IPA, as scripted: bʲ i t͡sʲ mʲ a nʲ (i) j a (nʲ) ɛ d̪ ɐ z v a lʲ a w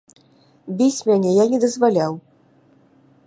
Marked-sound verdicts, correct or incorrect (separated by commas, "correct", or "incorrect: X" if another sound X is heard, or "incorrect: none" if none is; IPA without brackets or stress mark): incorrect: ɛ, correct